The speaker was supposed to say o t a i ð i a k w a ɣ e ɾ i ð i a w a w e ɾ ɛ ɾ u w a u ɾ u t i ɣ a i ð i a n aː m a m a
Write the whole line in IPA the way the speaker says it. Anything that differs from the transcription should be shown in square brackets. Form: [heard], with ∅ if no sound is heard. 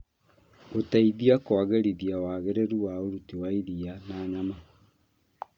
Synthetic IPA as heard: o t a i ð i a k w a ɣ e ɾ i ð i a w a [ɣ] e ɾ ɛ ɾ u w a [o] ɾ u t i [w] a i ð i a n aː [ɲ] a m a